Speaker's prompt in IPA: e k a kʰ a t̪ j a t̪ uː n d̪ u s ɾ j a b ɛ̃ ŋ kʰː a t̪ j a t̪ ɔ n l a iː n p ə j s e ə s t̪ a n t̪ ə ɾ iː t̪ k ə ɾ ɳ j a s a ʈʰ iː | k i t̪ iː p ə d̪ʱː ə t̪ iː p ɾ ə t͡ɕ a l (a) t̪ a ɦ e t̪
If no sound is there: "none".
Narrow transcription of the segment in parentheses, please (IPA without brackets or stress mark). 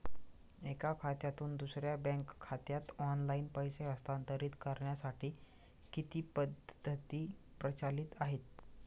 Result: i